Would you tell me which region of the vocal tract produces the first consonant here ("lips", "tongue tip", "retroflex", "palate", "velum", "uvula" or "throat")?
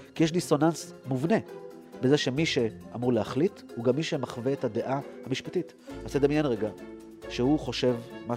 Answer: velum